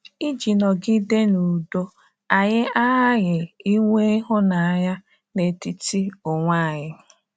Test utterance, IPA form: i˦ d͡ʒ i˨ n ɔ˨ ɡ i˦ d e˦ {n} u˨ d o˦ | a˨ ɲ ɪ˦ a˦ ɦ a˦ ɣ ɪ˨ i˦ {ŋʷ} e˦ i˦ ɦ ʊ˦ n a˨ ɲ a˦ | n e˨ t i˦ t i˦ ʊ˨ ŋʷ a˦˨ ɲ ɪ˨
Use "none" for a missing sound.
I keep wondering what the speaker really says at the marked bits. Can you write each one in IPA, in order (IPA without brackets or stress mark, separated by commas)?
n, ŋʷ